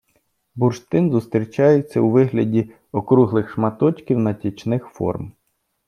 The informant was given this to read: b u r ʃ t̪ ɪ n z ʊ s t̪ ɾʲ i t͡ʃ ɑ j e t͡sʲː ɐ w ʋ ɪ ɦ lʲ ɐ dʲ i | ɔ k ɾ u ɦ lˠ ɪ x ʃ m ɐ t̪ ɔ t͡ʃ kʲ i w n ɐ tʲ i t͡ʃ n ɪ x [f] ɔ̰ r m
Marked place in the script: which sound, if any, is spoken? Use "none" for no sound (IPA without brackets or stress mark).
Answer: f